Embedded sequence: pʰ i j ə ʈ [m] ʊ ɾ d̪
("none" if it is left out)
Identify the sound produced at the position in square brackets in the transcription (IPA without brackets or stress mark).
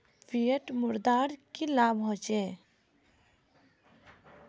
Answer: m